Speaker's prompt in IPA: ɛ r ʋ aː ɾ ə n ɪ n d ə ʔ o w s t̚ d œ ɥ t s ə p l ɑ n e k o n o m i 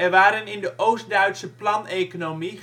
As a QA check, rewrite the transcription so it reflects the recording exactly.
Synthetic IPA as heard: ɛ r ʋ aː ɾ ə n ɪ n d ə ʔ o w s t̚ d œ ɥ t s ə p l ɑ n e k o n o m i